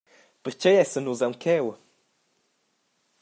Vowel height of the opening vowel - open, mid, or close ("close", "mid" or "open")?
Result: mid